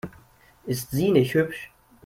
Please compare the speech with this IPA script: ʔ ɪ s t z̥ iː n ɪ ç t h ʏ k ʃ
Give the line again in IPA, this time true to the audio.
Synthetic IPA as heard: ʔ ɪ s t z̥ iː n ɪ ç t h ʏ p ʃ